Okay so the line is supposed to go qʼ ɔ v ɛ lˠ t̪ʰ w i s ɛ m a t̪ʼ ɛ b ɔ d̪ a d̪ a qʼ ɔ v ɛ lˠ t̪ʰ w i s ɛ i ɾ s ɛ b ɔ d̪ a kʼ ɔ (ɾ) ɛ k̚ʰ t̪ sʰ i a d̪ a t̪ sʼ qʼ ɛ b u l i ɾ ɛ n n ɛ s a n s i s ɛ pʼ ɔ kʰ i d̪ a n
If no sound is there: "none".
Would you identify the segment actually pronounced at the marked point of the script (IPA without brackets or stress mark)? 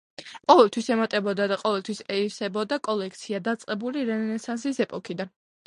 l